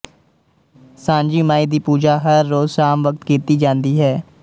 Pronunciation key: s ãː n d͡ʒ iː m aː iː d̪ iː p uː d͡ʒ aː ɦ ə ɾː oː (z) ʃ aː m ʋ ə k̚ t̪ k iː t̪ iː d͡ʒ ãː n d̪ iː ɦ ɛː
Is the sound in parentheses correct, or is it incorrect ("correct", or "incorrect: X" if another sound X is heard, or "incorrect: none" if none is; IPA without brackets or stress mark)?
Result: correct